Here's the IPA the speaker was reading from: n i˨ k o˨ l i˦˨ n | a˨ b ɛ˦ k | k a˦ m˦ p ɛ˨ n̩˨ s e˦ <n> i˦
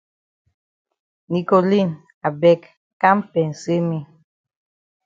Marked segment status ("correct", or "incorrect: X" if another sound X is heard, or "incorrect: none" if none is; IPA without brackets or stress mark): incorrect: m